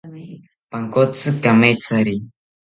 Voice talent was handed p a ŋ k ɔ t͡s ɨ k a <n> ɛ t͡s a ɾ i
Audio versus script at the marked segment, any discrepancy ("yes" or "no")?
yes